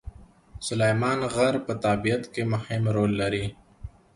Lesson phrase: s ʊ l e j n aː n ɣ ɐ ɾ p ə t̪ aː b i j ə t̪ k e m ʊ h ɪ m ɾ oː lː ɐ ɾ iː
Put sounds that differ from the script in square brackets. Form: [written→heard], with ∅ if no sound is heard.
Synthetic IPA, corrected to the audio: s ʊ l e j [n→m] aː n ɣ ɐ ɾ p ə t̪ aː b i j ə t̪ k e m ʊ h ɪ m ɾ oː lː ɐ ɾ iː